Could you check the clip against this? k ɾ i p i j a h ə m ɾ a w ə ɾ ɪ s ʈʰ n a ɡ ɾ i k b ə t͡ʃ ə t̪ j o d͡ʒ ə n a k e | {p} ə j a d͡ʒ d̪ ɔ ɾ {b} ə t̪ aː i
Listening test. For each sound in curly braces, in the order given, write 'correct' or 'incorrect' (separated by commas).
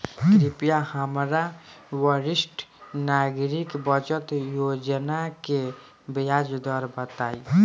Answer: incorrect, correct